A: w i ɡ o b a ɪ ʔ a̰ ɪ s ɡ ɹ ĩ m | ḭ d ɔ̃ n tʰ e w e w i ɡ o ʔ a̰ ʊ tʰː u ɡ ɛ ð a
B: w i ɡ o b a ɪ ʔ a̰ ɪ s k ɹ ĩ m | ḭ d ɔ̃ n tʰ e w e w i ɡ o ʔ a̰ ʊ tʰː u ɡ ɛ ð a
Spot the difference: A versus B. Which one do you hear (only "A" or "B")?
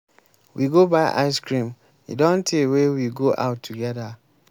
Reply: B